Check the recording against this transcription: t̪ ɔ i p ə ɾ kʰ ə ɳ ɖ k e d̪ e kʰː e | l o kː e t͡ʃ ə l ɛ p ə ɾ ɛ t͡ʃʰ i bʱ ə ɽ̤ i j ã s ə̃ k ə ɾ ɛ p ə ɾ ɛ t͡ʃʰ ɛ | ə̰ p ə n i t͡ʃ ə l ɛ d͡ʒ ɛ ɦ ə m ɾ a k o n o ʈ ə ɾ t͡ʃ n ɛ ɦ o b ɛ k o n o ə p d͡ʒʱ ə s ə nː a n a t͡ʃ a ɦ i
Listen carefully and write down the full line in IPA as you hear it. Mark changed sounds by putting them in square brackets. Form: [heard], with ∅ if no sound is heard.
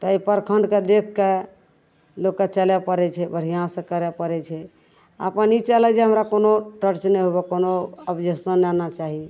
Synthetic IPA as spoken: t̪ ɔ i p ə ɾ kʰ ə ɳ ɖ k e d̪ e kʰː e | l o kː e t͡ʃ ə l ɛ p ə ɾ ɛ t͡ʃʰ [ɛ] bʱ ə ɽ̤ i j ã s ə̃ k ə ɾ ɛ p ə ɾ ɛ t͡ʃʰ ɛ | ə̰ p ə n i t͡ʃ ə l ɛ d͡ʒ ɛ ɦ ə m ɾ a k o n o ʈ ə ɾ t͡ʃ n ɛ ɦ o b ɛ k o n o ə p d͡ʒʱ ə s ə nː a n a t͡ʃ a ɦ i